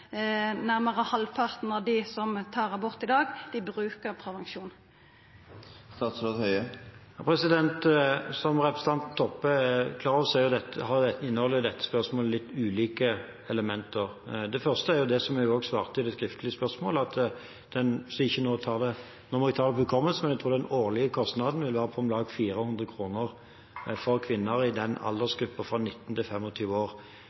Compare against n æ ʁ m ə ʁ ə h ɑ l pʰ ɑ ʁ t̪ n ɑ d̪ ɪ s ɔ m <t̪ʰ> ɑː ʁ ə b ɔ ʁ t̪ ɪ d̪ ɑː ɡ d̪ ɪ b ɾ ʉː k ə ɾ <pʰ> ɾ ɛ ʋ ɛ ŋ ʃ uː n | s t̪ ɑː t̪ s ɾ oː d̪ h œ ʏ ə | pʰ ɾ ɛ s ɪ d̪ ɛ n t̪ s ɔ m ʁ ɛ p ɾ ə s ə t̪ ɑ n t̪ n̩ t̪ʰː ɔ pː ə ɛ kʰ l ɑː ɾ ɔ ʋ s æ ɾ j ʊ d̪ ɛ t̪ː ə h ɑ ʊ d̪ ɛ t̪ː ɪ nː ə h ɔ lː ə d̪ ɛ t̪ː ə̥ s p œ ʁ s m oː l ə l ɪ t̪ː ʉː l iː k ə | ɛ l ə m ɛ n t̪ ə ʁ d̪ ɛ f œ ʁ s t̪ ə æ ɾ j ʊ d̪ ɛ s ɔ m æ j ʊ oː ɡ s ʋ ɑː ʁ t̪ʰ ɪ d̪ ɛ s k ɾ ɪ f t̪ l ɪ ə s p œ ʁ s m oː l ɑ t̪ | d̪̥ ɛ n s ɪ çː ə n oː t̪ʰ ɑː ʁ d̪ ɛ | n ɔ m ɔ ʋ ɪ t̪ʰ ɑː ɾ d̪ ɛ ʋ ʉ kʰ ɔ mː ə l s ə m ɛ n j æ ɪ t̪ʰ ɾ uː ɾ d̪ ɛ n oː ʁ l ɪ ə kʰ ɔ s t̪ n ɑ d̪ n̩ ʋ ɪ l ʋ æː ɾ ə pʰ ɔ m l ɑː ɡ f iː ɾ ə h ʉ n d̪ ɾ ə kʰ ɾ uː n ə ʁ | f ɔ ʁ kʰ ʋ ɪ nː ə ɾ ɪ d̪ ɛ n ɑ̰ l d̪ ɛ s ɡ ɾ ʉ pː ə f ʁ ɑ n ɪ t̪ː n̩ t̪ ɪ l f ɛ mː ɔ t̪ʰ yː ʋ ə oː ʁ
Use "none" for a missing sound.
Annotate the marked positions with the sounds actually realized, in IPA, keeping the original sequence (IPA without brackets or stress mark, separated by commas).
t̪ʰ, pʰ